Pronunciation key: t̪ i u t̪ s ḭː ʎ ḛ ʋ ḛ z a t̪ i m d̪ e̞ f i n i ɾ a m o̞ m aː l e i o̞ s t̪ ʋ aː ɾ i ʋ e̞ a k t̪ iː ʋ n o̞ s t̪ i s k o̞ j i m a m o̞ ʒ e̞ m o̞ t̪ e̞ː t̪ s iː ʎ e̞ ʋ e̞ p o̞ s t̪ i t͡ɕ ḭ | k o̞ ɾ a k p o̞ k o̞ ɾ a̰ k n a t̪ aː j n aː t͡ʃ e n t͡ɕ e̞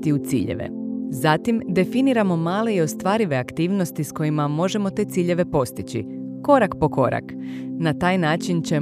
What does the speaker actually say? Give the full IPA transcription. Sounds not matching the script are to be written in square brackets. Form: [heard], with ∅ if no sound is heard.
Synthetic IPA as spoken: t̪ i u t̪ s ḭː ʎ ḛ ʋ ḛ z a t̪ i m d̪ e̞ f i n i ɾ a m o̞ m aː l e i o̞ s t̪ ʋ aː ɾ i ʋ e̞ a k t̪ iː ʋ n o̞ s t̪ i s k o̞ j i m a m o̞ ʒ e̞ m o̞ t̪ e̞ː t̪ s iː ʎ e̞ ʋ e̞ p o̞ s t̪ i t͡ɕ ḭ | k o̞ ɾ a k p o̞ k o̞ ɾ a̰ k n a t̪ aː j n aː t͡ʃ [i] n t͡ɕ e̞